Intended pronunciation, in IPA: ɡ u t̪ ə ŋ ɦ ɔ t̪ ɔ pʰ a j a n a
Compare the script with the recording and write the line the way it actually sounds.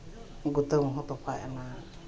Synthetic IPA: ɡ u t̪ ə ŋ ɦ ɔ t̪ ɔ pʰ a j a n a